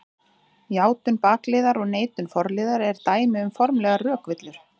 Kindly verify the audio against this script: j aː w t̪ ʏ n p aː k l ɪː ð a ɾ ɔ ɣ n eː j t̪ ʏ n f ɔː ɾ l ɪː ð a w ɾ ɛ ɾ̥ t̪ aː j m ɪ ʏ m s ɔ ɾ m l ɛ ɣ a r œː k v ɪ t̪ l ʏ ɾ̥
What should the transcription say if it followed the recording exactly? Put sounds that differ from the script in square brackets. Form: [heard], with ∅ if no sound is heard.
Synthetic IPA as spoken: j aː w t̪ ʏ n p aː k l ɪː ð a ɾ ɔ ɣ n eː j t̪ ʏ n f [ɔ] ɾ l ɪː ð a [∅] ɾ ɛ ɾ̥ t̪ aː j m ɪ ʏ m [f] ɔ ɾ m l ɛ ɣ a r œː k v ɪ t̪ l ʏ ɾ̥